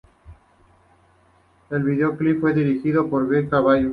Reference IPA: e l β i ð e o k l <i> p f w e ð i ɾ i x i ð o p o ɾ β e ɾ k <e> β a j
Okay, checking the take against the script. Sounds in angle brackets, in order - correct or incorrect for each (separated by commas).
correct, incorrect